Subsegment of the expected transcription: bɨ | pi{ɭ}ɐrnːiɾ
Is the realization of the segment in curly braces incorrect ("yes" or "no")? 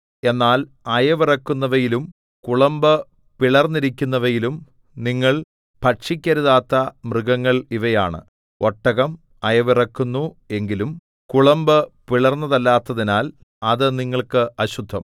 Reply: no